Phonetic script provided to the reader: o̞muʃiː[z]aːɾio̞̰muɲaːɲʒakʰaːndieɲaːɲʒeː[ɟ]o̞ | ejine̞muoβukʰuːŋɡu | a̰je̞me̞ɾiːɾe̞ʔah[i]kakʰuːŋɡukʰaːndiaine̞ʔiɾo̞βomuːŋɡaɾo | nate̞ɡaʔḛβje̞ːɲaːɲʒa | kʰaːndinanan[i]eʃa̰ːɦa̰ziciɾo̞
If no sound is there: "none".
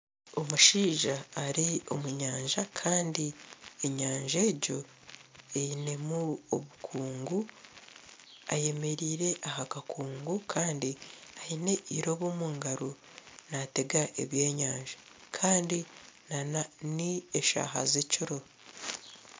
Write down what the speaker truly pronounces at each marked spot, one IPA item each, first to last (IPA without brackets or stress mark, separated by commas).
ʒ, ɟ, a, i